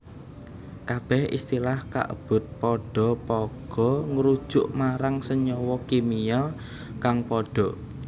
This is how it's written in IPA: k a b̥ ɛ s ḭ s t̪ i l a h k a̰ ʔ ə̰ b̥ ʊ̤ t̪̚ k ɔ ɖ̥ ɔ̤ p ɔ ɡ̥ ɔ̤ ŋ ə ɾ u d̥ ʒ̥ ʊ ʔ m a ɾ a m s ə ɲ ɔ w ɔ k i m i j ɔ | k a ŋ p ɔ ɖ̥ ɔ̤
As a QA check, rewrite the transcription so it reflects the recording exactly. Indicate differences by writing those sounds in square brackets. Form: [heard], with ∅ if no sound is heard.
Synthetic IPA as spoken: k a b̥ ɛ [h] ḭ s t̪ i l a h k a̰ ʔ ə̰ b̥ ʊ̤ t̪̚ [p] ɔ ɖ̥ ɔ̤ p ɔ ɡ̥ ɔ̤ ŋ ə ɾ u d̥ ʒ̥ ʊ ʔ m a ɾ a [ŋ] s ə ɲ ɔ w ɔ k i m i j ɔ | k a ŋ p ɔ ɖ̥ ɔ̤